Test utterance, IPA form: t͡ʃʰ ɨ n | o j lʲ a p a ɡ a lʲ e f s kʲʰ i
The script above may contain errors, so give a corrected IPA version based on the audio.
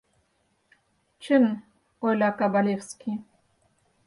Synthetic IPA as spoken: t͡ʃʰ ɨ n | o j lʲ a k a b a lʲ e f s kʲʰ i

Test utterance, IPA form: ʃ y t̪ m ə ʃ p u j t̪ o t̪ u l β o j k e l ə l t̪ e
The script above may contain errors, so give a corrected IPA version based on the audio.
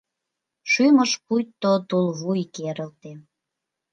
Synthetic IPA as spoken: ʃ y m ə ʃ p u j t̪ o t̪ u l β u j k e ɾ ə l t̪ e

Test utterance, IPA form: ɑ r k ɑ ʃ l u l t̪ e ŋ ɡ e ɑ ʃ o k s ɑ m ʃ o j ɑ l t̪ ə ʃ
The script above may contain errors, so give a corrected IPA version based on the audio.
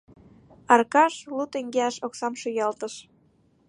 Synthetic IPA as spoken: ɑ r k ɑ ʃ l u t̪ e ŋ ɡ e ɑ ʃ o k s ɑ m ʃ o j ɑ l t̪ ə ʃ

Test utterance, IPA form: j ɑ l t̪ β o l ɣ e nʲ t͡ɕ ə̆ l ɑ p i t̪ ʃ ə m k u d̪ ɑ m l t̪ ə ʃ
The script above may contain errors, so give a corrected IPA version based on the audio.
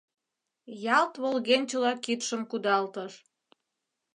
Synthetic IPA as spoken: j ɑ l t̪ β o l ɣ e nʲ t͡ɕ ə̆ l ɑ k i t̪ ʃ ə m k u d̪ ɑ l t̪ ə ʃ

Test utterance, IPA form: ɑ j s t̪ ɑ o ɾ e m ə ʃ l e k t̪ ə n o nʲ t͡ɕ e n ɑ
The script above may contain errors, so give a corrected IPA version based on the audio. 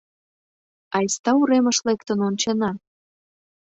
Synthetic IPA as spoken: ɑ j s t̪ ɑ u ɾ e m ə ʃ l e k t̪ ə n o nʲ t͡ɕ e n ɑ

